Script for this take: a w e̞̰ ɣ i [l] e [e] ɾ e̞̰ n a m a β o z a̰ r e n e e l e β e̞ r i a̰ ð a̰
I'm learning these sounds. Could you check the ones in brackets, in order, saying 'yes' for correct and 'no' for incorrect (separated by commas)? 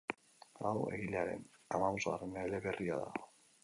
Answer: yes, no